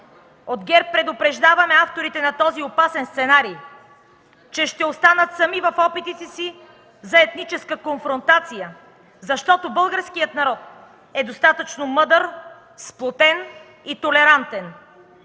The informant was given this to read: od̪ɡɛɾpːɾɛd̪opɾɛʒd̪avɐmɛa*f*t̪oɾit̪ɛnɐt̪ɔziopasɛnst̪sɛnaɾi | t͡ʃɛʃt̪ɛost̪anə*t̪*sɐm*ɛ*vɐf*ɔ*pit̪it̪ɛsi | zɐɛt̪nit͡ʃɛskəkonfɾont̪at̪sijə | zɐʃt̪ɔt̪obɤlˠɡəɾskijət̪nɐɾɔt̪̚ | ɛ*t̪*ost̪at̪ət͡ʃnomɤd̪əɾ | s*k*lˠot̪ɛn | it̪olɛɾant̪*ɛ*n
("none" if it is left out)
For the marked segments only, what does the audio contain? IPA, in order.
f, t̪, i, ɔ, d̪, p, ɛ

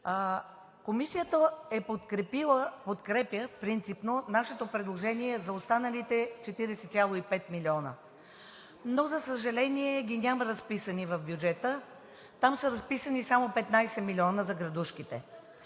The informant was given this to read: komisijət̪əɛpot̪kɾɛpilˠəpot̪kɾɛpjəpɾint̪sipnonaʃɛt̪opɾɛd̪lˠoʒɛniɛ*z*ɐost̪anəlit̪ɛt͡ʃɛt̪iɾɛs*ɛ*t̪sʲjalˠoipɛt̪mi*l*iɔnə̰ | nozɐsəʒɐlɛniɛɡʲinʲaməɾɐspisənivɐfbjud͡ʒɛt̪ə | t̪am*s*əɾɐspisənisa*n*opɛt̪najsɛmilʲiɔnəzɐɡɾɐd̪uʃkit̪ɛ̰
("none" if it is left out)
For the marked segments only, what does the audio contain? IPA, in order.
z, ɛ, l, s, m

